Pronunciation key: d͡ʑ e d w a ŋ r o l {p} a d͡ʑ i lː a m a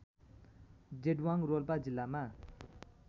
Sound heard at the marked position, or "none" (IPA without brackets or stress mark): p